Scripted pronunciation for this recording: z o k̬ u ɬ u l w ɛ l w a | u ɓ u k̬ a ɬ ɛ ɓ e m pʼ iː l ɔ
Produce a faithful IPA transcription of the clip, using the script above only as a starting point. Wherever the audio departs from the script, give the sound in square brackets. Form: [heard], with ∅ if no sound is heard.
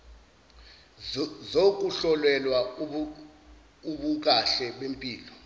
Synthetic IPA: z o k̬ u ɬ [ɔ] l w ɛ l w a | u ɓ u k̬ a ɬ ɛ ɓ e m pʼ iː l ɔ